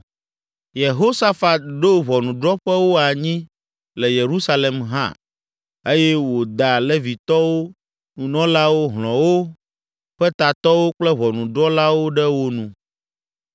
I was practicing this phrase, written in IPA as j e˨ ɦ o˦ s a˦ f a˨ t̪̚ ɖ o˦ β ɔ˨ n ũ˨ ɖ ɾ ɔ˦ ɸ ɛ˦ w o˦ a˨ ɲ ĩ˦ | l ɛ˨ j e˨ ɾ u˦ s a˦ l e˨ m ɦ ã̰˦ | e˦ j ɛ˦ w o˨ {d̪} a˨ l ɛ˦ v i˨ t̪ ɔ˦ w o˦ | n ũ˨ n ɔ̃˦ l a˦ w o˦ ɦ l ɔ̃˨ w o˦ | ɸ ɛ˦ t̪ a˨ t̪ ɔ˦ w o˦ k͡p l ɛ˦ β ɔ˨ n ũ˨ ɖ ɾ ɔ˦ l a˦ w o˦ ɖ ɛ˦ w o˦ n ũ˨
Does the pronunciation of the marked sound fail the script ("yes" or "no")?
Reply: no